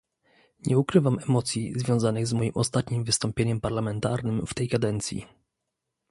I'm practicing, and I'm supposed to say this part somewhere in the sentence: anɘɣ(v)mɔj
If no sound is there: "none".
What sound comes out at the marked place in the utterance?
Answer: z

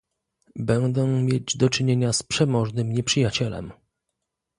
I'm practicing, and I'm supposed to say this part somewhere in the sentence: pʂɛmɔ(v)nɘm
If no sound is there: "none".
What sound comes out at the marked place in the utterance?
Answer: ʐ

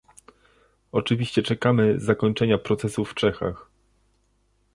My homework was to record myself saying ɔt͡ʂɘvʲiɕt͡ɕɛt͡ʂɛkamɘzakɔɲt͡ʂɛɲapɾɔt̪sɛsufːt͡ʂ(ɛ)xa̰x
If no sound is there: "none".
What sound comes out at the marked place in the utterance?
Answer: ɛ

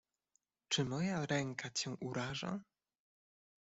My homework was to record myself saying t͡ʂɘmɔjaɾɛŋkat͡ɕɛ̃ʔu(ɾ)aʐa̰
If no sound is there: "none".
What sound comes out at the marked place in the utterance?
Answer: ɾ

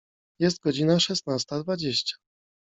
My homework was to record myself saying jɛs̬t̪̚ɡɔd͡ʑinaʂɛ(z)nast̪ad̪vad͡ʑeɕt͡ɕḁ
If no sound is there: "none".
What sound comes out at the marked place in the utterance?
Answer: s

